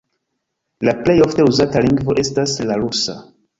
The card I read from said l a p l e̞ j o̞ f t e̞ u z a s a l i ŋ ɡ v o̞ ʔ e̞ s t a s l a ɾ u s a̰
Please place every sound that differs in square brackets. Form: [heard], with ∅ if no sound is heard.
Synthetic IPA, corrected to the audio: l a p l e̞ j o̞ f t e̞ u z a [t] a l i ŋ ɡ v o̞ ʔ e̞ s t a s l a ɾ u s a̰